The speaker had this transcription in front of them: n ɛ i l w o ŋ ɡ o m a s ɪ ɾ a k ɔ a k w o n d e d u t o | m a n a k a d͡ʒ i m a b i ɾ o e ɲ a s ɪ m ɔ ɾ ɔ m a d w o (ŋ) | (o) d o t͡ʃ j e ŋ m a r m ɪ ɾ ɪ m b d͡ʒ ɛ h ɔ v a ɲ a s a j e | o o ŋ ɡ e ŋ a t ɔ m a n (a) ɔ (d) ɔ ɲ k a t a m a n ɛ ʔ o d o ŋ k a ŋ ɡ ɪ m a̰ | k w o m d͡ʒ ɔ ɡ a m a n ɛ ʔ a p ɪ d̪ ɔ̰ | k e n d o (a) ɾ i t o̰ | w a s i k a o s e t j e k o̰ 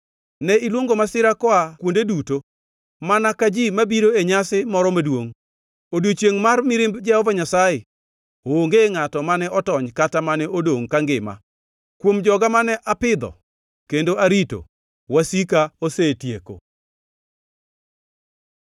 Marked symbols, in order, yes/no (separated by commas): yes, yes, no, no, yes